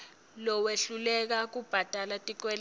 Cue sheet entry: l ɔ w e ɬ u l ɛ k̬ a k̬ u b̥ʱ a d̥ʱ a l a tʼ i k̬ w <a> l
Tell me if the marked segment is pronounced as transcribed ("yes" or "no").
no